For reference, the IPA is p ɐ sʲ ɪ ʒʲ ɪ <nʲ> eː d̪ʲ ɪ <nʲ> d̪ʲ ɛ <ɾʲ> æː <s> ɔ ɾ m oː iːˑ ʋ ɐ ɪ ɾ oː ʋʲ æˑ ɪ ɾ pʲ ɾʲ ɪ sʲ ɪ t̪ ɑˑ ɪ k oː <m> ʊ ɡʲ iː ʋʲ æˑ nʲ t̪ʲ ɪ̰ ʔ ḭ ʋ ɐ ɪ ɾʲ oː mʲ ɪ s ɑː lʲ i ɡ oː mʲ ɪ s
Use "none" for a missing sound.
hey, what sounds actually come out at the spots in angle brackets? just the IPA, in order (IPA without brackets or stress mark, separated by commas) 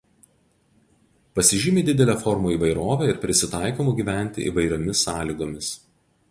mʲ, none, lʲ, f, m